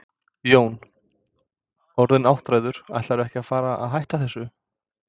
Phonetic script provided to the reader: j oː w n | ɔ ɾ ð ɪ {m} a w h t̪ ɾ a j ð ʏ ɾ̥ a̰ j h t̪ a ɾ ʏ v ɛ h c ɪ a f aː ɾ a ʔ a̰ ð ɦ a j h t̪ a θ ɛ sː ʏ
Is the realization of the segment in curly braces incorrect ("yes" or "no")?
yes